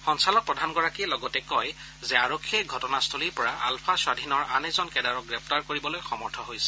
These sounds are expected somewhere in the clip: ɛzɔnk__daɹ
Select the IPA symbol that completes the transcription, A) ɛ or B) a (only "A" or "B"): A